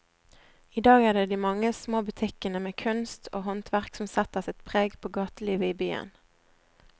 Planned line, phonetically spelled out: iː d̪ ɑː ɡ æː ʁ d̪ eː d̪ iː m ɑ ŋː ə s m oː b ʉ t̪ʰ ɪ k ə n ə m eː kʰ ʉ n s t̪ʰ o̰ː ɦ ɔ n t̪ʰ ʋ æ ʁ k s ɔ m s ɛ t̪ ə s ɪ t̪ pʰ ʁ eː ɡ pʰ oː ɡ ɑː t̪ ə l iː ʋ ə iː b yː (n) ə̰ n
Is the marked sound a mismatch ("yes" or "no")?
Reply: yes